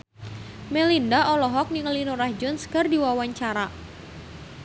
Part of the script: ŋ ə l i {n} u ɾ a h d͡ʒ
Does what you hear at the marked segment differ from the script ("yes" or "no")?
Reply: no